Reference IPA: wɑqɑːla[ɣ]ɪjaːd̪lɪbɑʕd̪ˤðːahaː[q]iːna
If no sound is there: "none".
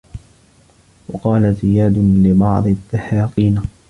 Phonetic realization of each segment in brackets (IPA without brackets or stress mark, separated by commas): z, q